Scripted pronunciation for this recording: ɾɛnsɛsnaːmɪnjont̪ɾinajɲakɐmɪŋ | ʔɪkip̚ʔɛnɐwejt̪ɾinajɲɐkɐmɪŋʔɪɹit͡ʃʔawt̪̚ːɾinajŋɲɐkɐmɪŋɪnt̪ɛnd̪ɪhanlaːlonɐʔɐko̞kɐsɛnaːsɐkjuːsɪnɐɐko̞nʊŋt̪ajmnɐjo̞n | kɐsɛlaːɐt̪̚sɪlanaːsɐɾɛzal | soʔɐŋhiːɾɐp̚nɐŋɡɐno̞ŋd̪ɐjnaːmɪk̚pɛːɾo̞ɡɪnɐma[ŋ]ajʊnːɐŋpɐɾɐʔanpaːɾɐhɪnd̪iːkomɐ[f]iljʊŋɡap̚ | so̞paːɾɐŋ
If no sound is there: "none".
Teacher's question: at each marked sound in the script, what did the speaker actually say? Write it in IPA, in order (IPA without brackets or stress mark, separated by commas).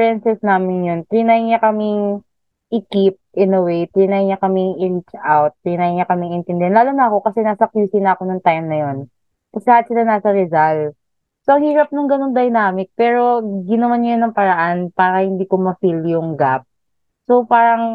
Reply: n, f